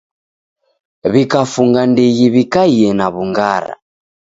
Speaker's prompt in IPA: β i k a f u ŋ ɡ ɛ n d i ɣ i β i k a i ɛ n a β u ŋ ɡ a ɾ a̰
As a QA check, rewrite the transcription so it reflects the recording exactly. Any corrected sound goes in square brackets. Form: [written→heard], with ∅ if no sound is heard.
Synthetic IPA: β i k a f u ŋ ɡ [ɛ→a] n d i ɣ i β i k a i ɛ n a β u ŋ ɡ a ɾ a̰

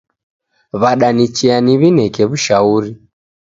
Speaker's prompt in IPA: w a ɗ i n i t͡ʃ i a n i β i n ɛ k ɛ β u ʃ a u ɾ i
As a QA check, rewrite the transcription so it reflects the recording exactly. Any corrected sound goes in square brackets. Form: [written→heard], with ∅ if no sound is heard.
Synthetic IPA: [w→β] a ɗ [i→a] n i t͡ʃ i a n i β i n ɛ k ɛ β u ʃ a u ɾ i

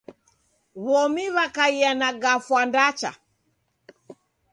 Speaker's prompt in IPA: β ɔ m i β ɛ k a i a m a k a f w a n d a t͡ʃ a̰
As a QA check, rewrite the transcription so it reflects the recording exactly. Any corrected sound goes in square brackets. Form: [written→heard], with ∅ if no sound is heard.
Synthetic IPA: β ɔ m i β [ɛ→a] k a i a [m→n] a [k→ɡ] a f w a n d a t͡ʃ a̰

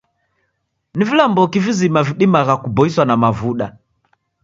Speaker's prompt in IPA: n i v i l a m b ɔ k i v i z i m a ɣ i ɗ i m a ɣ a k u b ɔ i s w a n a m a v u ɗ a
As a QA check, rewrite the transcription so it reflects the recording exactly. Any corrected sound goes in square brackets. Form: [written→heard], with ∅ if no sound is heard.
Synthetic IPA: n i v i l a m b ɔ k i v i z i m a [ɣ→v] i ɗ i m a ɣ a k u b ɔ i s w a n a m a v u ɗ a

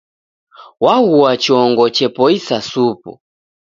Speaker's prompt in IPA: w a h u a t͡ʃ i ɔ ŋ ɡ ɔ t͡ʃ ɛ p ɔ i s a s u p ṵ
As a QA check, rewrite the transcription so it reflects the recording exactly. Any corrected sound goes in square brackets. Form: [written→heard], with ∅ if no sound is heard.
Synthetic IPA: w a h u a t͡ʃ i ɔ ŋ ɡ ɔ t͡ʃ ɛ p ɔ i s a s u p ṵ

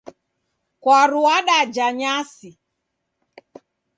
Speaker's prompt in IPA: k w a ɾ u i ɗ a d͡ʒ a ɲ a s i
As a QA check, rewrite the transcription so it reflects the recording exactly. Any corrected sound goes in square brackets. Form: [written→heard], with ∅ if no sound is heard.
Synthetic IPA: k w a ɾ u [i→a] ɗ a d͡ʒ a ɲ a s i

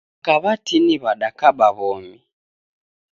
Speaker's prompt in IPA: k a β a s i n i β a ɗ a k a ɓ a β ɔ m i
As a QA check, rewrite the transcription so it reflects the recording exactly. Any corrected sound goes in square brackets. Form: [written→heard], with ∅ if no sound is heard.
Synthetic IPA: k a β a [s→t] i n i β a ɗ a k a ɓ a β ɔ m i

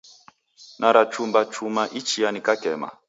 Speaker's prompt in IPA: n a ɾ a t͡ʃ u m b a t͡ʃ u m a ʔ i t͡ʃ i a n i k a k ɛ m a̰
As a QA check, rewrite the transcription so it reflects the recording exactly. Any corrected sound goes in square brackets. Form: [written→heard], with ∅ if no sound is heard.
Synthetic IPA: n a ɾ a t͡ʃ u m b a t͡ʃ u m a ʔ i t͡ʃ i a n i k a k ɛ m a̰

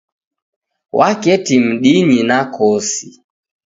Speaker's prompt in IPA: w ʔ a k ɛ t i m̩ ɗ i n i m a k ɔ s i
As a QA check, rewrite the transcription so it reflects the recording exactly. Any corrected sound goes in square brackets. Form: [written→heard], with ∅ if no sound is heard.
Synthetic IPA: w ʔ a k ɛ t i m̩ ɗ i [n→ɲ] i [m→n] a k ɔ s i

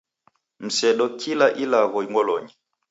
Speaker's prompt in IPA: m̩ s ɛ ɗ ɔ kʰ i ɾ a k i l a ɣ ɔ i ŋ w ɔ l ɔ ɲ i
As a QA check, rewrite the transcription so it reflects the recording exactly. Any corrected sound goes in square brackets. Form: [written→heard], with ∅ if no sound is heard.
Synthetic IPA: m̩ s ɛ ɗ ɔ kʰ i [ɾ→l] a [k→ʔ] i l a ɣ ɔ i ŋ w ɔ l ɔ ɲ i

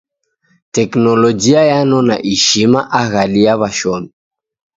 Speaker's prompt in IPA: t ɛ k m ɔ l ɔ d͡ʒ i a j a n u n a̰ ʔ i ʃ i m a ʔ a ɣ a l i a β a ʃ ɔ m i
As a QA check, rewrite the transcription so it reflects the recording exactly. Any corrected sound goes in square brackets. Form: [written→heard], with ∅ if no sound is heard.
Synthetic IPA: t ɛ k [m→n] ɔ l ɔ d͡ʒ i a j a n [u→ɔ] n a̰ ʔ i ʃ i m a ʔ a ɣ a l i a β a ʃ ɔ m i

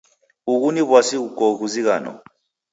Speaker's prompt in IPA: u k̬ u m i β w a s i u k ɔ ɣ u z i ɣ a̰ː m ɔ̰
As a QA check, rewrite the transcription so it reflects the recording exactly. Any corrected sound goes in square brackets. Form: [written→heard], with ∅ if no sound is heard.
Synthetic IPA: u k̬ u [m→n] i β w a s i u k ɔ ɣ u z i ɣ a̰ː [m→n] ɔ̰

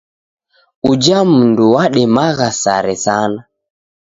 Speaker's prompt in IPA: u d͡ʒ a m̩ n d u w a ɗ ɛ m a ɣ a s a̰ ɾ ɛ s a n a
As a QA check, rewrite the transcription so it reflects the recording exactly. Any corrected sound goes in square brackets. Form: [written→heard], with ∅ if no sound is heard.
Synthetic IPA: u d͡ʒ a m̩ n d u w a ɗ ɛ m a ɣ a s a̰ ɾ ɛ s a n a

